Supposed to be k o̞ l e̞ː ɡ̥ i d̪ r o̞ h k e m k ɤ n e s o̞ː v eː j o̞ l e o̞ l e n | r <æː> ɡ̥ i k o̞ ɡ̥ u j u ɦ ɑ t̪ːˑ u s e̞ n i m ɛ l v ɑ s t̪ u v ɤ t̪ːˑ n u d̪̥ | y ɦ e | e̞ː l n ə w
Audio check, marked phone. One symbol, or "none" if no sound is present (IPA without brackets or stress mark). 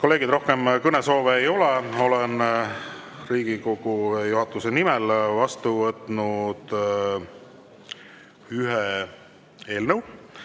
iː